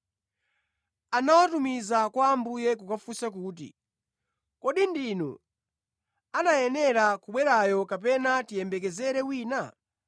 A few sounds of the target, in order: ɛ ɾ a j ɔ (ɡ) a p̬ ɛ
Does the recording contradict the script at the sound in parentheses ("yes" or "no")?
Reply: yes